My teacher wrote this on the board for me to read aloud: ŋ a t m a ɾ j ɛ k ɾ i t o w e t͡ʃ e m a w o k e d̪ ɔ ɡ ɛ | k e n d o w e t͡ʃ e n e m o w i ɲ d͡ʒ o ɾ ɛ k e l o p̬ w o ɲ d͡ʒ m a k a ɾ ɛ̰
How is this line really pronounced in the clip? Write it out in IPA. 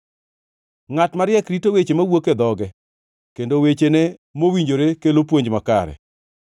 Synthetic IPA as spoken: ŋ a t m a ɾ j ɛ k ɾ i t o w e t͡ʃ e m a w o k e d̪ ɔ ɡ ɛ | k e n d o w e t͡ʃ e n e m o w i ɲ d͡ʒ o ɾ e k e l o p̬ w o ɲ d͡ʒ m a k a ɾ ɛ̰

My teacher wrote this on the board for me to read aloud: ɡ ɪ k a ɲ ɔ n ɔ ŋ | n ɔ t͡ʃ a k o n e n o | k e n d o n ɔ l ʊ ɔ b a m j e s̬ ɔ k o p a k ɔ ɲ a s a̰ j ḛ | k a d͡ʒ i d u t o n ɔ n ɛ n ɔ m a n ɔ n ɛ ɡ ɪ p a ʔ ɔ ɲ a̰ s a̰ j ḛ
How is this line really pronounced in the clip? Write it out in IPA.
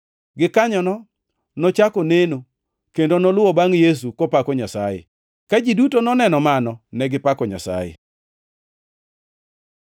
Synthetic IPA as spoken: ɡ ɪ k a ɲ ɔ n ɔ | n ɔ t͡ʃ a k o n e n o | k e n d o n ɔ l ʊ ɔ b a ŋ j e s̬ u k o p a k ɔ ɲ a s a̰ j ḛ | k a d͡ʒ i d u t o n ɔ n ɛ n ɔ m a n ɔ n ɛ ɡ ɪ p a k ɔ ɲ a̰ s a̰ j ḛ

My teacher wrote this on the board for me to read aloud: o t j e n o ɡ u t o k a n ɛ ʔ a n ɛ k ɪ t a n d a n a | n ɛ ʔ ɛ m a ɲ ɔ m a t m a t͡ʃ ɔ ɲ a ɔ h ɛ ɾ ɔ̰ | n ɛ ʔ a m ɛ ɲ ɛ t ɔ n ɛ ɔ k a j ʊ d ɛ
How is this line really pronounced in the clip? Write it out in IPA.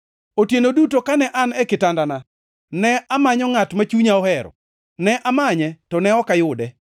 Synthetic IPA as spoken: o t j e n o d u t o k a n ɛ ʔ a n ɛ k ɪ t a n d a n a | n ɛ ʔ a m a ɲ ɔ ŋ a t m a t͡ʃ u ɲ a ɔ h ɛ ɾ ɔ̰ | n ɛ ʔ a m a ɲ ɛ t ɔ n ɛ ɔ k a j ʊ d ɛ

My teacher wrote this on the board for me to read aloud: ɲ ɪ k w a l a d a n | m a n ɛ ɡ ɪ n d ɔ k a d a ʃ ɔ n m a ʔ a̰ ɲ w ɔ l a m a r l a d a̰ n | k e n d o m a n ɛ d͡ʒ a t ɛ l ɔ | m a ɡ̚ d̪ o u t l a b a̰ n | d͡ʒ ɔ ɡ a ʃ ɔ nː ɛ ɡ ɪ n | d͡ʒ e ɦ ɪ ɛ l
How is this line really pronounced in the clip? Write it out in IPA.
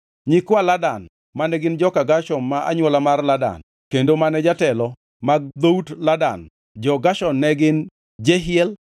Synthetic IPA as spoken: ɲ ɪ k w a l a d a n | m a n ɛ ɡ ɪ n d͡ʒ ɔ k a ɡ a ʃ ɔ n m a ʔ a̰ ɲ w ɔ l a m a r l a d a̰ n | k e n d o m a n ɛ d͡ʒ a t ɛ l ɔ | m a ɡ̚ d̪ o u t l a d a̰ n | d͡ʒ ɔ ɡ a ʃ ɔ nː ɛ ɡ ɪ n | d͡ʒ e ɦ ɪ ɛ l

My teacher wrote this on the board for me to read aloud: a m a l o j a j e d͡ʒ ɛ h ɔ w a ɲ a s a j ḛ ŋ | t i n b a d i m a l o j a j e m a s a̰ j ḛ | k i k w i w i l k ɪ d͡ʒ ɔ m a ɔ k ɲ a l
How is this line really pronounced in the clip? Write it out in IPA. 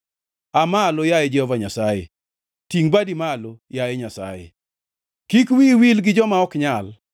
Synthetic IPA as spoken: a m a l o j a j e d͡ʒ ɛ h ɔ v a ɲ a s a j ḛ | t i ŋ b a d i m a l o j a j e ɲ a s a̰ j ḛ | k i k w i w i l ɡ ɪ d͡ʒ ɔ m a ɔ k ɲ a l

